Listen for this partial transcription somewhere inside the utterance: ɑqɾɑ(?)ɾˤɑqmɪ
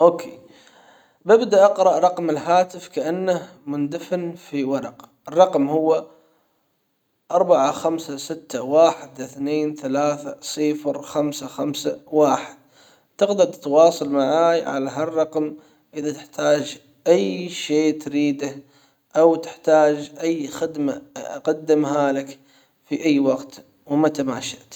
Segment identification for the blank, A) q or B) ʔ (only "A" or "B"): B